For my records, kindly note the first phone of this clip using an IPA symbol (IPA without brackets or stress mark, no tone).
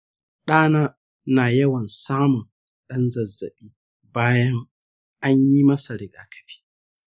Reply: ɗ